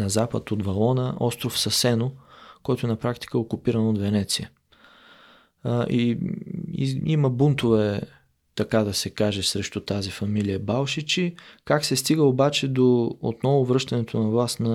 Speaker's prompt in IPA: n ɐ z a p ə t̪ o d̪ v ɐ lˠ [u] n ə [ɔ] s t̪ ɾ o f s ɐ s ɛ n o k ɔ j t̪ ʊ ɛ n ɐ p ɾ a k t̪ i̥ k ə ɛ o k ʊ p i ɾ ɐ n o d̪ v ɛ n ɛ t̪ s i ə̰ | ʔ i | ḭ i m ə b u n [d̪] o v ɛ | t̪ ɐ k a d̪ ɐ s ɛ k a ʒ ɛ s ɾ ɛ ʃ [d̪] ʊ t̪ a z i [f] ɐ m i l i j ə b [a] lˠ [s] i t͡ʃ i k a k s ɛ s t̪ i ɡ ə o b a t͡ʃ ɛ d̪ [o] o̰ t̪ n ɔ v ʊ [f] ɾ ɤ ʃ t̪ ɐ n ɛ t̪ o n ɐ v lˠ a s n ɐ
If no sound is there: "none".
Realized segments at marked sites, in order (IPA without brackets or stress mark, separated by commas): ɔ, ɔ, t̪, t̪, f, a, ʃ, o, v